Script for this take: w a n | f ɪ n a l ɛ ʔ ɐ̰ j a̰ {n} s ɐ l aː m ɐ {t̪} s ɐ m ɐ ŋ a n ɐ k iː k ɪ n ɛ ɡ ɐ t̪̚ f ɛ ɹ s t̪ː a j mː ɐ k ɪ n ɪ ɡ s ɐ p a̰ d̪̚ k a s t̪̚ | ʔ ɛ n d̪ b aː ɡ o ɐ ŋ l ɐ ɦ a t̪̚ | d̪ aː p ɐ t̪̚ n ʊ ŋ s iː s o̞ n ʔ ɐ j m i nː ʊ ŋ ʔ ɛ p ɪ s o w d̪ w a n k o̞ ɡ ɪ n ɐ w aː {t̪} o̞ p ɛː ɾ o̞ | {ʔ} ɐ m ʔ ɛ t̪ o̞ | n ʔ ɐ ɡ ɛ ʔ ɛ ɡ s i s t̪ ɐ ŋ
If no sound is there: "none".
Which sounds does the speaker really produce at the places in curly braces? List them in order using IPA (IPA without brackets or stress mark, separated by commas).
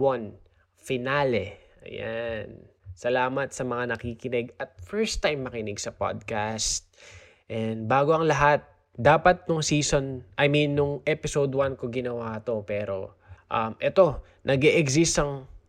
n, t̪, t̪, ʔ